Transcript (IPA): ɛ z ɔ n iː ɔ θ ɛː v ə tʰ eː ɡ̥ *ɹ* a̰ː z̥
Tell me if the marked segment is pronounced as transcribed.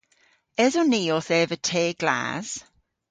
no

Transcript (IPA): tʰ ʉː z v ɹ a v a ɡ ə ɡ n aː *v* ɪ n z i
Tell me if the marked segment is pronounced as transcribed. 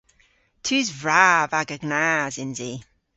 no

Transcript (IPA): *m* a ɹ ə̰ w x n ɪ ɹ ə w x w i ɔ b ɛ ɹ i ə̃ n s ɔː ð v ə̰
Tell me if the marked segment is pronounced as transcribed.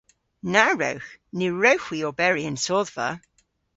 no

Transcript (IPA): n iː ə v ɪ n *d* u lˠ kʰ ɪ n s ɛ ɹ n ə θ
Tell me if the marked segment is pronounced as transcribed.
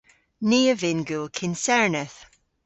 no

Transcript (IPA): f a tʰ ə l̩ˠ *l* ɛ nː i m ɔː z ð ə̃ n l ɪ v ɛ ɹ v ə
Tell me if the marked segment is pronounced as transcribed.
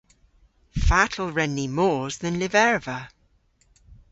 no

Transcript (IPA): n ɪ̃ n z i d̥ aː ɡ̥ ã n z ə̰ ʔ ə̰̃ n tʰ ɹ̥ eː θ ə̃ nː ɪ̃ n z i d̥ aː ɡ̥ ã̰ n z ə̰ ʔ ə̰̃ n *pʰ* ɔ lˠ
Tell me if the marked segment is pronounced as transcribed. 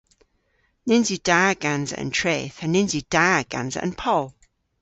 yes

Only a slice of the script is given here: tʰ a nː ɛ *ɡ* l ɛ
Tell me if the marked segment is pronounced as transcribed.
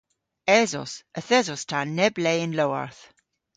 no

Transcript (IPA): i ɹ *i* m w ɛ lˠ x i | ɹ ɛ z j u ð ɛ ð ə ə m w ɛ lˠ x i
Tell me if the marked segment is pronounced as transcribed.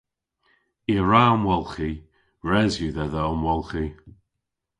no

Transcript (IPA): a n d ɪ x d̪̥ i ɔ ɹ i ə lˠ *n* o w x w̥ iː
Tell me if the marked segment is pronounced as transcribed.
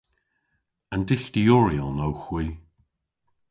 yes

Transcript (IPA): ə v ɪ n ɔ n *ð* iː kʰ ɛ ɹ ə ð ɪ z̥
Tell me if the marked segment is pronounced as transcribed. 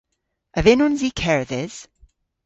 no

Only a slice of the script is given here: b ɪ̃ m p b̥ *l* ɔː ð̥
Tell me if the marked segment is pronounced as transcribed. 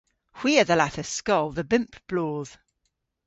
yes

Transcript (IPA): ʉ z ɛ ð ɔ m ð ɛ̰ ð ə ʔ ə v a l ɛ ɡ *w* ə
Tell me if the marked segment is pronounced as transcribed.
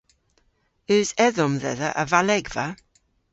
no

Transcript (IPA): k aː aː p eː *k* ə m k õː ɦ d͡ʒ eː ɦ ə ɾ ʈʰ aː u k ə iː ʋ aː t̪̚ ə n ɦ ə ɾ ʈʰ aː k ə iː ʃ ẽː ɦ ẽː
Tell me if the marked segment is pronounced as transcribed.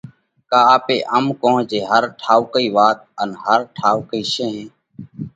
no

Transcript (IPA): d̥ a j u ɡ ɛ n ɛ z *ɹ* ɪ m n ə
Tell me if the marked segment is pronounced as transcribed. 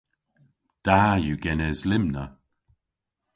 no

